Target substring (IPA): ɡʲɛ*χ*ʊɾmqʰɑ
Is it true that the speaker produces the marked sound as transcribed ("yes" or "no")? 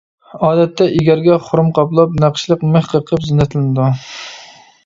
yes